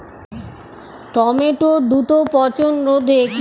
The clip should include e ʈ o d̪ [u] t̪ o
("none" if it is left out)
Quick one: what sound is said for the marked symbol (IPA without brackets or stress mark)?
u